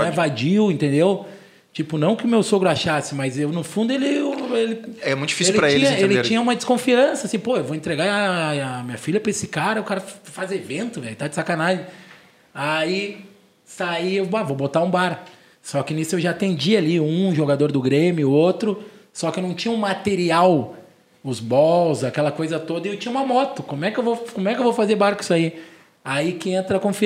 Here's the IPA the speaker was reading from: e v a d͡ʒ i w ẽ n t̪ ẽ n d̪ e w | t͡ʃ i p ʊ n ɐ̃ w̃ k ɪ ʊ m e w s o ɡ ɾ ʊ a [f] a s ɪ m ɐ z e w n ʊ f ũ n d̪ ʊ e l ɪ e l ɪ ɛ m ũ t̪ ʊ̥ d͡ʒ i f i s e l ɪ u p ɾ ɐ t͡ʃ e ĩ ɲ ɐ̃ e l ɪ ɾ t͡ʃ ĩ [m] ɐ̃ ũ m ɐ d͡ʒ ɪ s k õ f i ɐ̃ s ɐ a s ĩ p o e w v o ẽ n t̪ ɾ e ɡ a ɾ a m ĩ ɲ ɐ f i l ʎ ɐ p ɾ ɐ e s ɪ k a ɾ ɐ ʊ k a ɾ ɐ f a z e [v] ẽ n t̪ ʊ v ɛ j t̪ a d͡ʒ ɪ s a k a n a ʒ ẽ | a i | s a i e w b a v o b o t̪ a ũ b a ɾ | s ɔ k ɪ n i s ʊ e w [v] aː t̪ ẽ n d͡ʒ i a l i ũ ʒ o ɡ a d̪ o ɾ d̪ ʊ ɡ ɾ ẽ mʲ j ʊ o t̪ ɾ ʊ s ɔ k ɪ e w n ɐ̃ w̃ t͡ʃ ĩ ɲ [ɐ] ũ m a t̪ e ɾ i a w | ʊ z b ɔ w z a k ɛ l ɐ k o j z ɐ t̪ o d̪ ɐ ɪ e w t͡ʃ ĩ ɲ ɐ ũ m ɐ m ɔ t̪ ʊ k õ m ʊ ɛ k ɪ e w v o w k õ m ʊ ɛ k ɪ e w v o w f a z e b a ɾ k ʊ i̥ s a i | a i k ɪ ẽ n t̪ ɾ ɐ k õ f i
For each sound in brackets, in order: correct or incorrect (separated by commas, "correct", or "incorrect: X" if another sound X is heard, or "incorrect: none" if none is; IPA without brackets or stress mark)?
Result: incorrect: ʃ, incorrect: ɲ, correct, incorrect: ʒ, correct